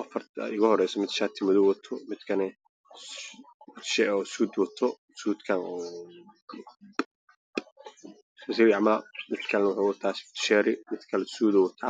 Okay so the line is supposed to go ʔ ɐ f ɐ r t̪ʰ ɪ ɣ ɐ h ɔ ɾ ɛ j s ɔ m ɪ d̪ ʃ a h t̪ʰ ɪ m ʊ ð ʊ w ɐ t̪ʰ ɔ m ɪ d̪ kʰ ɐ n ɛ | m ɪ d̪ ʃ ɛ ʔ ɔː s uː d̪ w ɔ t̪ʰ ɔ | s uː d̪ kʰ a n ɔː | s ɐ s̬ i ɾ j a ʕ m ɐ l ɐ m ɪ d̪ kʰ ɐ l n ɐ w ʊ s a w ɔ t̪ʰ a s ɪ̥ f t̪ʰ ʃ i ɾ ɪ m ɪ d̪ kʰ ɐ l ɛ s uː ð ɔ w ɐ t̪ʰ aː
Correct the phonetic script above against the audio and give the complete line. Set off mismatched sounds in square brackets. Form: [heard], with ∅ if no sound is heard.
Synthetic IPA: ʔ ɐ f ɐ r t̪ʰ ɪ ɣ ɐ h ɔ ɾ ɛ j s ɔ m ɪ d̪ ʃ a [∅] t̪ʰ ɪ m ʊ ð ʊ w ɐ t̪ʰ ɔ m ɪ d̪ kʰ ɐ n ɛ | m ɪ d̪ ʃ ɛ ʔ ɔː s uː d̪ w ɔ t̪ʰ ɔ | s uː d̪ kʰ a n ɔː | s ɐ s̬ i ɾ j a ʕ m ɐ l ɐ m ɪ d̪ kʰ ɐ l n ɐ w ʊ [ħ] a w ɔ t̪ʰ a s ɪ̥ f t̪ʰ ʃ [ɛ] ɾ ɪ m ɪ d̪ kʰ ɐ l ɛ s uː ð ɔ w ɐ t̪ʰ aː